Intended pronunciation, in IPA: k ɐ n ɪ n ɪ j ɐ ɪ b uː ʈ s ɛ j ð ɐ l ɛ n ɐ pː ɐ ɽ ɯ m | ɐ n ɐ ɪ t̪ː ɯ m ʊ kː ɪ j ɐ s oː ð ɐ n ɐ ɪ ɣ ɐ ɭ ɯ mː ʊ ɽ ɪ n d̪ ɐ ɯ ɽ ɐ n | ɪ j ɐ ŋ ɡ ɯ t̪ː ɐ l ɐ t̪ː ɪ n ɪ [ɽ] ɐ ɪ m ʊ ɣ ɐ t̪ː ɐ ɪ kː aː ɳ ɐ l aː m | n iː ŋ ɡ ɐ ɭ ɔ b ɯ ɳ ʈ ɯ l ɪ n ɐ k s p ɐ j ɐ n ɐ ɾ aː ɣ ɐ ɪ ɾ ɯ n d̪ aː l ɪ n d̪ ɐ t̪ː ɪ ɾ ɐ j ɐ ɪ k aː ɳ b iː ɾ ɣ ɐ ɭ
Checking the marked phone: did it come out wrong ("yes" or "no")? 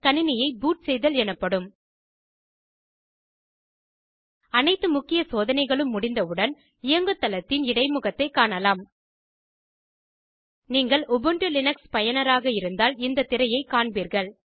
no